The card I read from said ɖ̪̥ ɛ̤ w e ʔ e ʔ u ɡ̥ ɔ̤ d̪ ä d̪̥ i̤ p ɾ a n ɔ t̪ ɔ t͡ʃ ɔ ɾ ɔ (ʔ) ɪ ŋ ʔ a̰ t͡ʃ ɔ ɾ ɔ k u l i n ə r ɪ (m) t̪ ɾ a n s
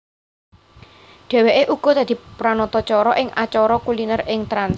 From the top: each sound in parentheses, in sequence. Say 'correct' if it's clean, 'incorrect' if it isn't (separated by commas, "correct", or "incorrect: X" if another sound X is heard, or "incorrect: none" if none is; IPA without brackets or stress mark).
correct, incorrect: ŋ